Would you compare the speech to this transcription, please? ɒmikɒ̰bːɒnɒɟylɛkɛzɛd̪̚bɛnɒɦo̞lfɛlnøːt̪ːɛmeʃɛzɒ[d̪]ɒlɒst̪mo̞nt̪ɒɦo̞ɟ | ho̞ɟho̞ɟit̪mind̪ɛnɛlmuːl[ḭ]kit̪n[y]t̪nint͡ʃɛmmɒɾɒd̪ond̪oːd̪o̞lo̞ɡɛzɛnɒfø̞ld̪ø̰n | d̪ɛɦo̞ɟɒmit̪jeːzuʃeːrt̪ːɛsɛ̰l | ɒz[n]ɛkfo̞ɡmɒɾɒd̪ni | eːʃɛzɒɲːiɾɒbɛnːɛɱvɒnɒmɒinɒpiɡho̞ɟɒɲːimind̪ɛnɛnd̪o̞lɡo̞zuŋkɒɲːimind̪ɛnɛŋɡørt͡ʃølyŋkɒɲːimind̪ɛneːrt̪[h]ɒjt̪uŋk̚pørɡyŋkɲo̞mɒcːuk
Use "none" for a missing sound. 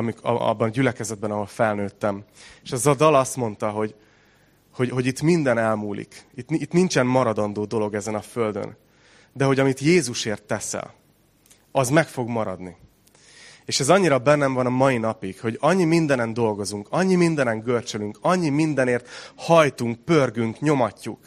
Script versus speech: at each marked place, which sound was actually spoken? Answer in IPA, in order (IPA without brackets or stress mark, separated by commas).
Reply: d̪, ḭ, i, m, h